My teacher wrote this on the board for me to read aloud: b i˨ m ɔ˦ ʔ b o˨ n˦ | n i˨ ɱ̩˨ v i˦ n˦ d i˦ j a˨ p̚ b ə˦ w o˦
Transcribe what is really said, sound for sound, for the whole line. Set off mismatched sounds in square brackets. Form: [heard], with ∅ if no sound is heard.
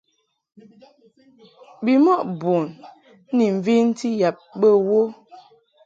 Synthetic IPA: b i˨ m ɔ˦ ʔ b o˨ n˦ | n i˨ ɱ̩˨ v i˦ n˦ [t] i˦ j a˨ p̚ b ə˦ w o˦